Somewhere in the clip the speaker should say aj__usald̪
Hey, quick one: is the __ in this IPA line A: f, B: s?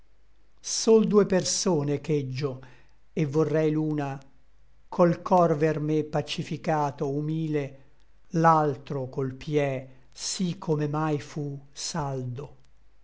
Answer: A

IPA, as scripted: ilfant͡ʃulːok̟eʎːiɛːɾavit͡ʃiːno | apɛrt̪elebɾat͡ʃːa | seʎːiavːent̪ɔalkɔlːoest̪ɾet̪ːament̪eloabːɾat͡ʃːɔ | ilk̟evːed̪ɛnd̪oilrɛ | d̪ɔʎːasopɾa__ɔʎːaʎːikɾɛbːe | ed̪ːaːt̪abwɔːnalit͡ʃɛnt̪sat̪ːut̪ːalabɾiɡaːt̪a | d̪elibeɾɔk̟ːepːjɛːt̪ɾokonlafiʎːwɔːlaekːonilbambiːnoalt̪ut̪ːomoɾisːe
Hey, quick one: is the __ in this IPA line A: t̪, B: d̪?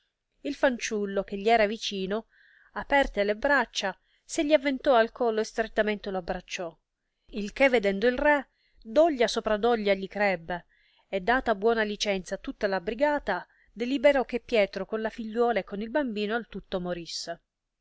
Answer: B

